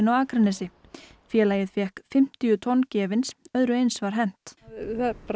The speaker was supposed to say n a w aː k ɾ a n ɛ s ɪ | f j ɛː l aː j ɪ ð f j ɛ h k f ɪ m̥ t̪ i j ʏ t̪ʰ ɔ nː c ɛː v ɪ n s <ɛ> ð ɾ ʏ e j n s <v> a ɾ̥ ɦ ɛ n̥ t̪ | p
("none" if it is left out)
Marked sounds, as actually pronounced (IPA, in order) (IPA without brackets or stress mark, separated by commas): œ, v